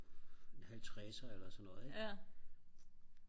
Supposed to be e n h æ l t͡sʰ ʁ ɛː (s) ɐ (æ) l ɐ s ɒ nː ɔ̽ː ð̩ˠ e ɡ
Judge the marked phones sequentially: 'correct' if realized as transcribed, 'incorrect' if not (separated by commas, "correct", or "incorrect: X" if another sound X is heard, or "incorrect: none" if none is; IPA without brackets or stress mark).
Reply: correct, incorrect: e